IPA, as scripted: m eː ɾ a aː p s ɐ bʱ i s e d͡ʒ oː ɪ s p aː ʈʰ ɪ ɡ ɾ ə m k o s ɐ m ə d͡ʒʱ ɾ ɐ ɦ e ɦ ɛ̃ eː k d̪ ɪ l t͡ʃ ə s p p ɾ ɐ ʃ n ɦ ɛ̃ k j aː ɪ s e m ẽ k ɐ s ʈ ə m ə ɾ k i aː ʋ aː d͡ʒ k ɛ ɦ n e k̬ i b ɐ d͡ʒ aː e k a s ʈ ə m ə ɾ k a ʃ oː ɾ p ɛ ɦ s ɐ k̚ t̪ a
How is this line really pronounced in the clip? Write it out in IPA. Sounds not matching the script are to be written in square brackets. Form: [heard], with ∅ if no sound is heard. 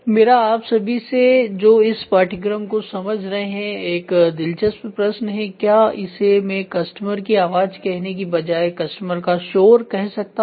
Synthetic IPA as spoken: m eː ɾ a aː p s ɐ bʱ i s e d͡ʒ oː ɪ s p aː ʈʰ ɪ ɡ ɾ ə m k o s ɐ m ə d͡ʒʱ ɾ ɐ ɦ e ɦ ɛ̃ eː k d̪ ɪ l t͡ʃ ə s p p ɾ ɐ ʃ n ɦ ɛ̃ k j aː ɪ s e m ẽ k ɐ s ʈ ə m ə ɾ k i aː ʋ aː d͡ʒ k ɛ ɦ n e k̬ i b ɐ d͡ʒ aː e k [ɐ] s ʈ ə m ə ɾ k a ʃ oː ɾ [k] ɛ ɦ s ɐ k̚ t̪ a